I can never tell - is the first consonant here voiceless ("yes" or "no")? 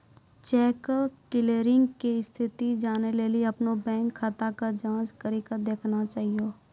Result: yes